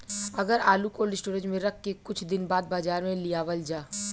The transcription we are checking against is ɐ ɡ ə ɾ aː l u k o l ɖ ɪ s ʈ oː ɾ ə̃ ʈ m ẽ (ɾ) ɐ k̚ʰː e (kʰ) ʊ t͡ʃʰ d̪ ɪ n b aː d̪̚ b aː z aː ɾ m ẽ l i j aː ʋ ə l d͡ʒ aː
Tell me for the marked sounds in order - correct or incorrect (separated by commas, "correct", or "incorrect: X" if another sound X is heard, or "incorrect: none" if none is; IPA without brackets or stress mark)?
correct, incorrect: k